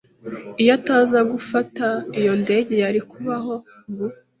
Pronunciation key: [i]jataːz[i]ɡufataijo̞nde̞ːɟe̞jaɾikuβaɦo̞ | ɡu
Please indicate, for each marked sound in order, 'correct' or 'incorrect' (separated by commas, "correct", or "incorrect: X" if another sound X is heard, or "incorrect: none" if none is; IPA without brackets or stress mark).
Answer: correct, incorrect: a